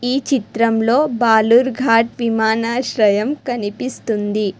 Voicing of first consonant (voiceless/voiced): voiceless